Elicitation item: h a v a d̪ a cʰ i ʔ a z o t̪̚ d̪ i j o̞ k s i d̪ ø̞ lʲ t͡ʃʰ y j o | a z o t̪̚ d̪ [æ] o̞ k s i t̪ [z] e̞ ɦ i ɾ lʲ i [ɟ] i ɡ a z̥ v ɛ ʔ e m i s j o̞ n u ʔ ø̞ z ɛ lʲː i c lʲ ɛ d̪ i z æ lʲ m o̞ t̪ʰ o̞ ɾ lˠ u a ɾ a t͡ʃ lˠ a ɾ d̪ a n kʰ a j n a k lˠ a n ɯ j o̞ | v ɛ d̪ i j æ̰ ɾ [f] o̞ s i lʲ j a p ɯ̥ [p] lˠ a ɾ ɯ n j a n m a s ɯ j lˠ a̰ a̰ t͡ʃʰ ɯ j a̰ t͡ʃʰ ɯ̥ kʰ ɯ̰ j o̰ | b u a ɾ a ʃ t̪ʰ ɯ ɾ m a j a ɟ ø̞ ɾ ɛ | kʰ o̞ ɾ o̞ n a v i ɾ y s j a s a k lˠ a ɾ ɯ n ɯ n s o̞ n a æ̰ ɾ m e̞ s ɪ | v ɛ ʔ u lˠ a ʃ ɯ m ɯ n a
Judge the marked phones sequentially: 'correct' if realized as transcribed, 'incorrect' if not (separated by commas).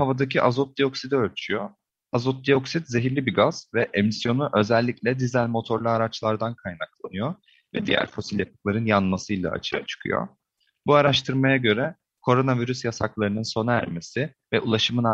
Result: incorrect, correct, incorrect, correct, incorrect